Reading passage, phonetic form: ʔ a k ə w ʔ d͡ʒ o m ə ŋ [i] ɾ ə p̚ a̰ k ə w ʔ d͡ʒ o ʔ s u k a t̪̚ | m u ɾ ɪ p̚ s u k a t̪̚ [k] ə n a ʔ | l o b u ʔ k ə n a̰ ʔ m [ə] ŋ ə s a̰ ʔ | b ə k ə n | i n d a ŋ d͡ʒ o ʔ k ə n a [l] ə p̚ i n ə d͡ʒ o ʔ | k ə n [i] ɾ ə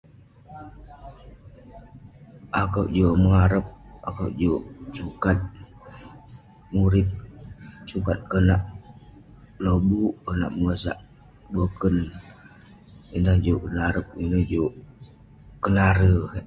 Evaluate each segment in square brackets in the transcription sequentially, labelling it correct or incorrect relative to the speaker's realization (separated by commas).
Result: incorrect, correct, correct, incorrect, incorrect